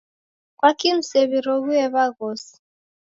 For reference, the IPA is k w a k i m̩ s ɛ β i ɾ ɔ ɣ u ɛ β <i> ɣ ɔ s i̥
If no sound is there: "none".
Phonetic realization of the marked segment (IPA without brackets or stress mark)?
a